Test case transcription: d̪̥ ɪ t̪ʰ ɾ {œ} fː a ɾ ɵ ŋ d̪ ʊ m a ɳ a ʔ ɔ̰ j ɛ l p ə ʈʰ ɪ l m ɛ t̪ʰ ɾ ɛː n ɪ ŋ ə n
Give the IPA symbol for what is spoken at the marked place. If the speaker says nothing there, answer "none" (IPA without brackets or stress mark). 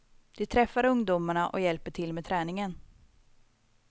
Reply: ɛ